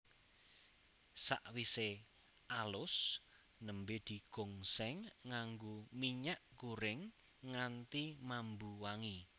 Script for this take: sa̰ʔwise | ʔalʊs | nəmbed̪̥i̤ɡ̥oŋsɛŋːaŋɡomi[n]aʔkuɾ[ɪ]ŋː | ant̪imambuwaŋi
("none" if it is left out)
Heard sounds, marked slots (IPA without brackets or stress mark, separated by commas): ɲ, ɪ